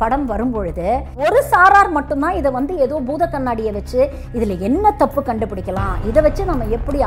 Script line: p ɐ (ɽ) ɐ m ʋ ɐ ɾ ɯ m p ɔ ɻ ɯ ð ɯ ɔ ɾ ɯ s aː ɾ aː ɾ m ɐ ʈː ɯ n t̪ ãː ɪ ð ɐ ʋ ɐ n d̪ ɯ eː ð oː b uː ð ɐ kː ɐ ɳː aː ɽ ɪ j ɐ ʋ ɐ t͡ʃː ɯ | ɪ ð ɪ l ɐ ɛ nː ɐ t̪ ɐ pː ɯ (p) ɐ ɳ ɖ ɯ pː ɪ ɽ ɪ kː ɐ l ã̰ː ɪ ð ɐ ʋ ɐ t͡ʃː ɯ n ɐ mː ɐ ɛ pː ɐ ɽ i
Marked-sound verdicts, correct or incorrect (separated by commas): correct, incorrect